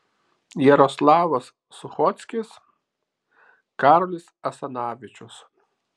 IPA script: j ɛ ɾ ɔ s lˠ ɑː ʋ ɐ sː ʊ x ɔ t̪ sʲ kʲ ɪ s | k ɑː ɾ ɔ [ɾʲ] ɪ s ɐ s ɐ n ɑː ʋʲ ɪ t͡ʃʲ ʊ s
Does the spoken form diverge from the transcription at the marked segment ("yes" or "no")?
yes